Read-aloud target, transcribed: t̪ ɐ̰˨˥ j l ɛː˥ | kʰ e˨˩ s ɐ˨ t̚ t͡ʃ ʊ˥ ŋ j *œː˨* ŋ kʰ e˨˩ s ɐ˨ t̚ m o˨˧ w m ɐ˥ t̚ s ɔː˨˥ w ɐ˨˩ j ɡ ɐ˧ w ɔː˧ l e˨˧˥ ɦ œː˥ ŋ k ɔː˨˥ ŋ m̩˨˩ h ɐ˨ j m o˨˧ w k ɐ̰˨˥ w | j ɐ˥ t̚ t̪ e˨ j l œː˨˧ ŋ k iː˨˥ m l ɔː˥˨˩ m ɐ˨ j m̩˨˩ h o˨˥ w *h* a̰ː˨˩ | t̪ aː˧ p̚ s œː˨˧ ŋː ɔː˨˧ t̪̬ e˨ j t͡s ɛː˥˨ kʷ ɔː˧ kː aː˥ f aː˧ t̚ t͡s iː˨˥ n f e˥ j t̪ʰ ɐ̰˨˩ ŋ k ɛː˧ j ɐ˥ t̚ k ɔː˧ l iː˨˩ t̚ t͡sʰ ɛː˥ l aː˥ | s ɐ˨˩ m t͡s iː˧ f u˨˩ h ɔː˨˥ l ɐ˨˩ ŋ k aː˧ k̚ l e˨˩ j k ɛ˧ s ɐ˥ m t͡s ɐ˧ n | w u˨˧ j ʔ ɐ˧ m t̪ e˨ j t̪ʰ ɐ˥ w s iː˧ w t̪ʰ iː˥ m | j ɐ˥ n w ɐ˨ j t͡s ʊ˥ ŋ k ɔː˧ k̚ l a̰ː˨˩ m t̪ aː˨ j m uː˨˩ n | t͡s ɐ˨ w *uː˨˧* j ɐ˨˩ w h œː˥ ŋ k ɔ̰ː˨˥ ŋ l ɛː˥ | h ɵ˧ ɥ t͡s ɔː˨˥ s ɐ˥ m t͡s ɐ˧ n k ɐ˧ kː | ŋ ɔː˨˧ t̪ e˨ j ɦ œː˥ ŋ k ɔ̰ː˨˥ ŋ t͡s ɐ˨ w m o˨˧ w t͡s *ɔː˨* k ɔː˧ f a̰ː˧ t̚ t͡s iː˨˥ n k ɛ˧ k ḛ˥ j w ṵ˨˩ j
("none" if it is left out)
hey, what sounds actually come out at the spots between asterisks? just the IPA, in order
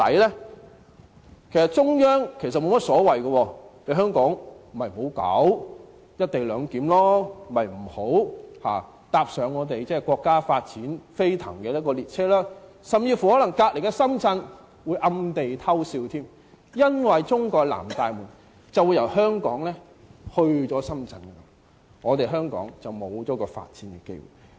œː˥, h, u˨˧, ɔː˨˥

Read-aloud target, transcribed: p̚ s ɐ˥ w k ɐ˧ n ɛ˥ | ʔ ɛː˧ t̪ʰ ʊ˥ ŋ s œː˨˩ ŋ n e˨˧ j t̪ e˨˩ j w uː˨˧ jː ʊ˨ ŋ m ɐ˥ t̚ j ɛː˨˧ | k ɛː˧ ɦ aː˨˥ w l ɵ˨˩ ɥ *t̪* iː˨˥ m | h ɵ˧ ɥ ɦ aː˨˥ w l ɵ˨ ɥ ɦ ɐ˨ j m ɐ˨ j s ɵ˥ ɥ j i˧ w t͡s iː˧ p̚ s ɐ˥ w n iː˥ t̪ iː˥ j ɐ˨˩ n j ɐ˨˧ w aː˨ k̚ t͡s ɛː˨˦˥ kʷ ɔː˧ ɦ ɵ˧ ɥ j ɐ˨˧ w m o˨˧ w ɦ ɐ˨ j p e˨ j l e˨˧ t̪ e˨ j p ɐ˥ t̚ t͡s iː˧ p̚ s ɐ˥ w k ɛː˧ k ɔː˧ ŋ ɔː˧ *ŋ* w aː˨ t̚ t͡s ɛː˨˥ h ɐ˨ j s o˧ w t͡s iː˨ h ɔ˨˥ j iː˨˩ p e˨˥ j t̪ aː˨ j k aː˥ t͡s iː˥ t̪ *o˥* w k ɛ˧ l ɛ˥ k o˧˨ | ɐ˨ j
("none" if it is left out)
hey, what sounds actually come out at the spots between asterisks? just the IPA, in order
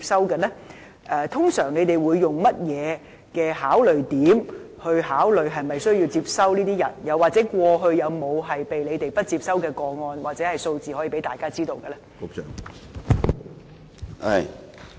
t̪, n, o˧

